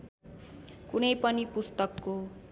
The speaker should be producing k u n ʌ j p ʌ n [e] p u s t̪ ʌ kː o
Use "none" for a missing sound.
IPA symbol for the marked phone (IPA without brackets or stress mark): i